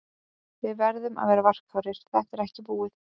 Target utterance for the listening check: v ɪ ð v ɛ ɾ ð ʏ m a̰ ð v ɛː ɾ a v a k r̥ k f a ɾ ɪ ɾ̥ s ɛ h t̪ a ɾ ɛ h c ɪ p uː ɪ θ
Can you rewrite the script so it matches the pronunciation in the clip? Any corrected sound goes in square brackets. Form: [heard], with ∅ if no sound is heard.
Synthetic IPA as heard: v ɪ ð v ɛ ɾ ð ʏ m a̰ ð v ɛː ɾ a v a [∅] r̥ k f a ɾ ɪ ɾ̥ [θ] ɛ h t̪ [ɛ] ɾ ɛ h c ɪ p uː ɪ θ